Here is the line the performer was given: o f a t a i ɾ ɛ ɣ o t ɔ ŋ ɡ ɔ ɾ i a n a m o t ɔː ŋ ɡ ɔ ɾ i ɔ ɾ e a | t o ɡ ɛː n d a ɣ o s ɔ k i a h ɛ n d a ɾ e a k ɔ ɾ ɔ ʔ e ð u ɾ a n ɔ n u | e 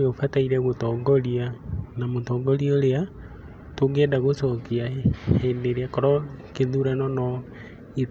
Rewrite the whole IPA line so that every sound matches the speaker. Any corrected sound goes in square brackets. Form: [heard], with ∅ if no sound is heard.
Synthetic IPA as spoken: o f a t a i ɾ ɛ ɣ o t ɔ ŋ ɡ ɔ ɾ i a n a m o t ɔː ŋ ɡ ɔ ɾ i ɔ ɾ e a | t o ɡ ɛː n d a ɣ o s ɔ k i a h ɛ n d [e] ɾ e a k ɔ ɾ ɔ [k] e ð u ɾ a n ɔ n [ɔ] | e